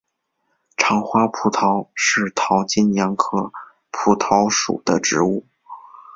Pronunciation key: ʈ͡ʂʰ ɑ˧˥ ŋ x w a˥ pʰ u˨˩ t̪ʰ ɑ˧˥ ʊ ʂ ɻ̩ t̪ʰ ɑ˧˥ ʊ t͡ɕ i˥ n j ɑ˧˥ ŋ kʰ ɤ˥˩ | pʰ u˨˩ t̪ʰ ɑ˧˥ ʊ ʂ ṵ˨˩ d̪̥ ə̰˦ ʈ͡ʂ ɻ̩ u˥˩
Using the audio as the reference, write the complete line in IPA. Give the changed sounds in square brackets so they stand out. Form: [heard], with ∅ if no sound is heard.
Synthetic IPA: ʈ͡ʂʰ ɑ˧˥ ŋ x w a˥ pʰ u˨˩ t̪ʰ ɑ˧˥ ʊ ʂ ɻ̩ t̪ʰ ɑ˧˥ ʊ t͡ɕ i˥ n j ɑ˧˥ ŋ kʰ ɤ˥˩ | pʰ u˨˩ t̪ʰ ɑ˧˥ ʊ ʂ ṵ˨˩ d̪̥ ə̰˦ ʈ͡ʂ ɻ̩ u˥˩